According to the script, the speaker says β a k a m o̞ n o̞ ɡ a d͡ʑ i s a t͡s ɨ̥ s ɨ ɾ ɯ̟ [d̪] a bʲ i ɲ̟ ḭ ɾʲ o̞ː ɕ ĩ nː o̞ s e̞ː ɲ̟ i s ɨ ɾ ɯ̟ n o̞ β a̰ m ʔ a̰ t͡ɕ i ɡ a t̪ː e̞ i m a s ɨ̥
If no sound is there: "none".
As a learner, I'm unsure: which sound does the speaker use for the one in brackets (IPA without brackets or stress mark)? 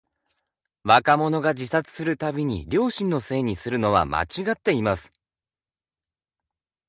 t̪